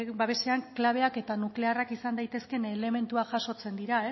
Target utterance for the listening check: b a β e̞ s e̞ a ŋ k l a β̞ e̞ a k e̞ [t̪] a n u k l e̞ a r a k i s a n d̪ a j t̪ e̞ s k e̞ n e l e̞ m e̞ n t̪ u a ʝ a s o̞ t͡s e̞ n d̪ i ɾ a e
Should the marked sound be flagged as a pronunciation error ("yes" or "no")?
no